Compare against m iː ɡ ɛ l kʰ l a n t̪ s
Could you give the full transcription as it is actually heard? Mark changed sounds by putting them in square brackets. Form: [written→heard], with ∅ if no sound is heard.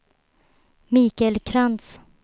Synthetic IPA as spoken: m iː [ɡ→k] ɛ l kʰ [l→ɾ] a n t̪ s